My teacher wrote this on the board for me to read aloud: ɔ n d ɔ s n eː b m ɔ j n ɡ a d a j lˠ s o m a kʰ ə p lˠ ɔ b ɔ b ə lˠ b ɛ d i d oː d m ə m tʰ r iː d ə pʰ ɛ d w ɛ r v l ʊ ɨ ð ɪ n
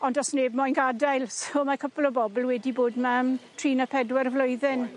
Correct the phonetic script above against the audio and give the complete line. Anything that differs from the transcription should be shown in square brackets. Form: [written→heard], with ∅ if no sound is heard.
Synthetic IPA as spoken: ɔ n d ɔ s n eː b m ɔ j n ɡ a d a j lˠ s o m a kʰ ə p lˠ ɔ b ɔ b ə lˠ [b→w] ɛ d i [d→b] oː d m [ə→a] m tʰ r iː [d→n] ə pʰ ɛ d w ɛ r v l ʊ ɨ ð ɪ n